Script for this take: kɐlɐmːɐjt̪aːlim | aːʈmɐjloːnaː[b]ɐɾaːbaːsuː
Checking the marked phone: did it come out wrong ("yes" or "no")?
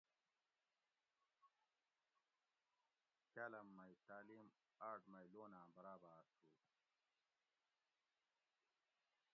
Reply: no